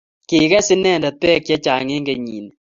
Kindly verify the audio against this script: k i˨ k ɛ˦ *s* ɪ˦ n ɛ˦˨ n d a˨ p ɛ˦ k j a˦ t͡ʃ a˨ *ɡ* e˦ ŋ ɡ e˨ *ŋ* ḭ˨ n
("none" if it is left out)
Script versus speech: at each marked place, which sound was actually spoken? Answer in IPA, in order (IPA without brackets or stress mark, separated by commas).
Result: s, ŋ, ɲ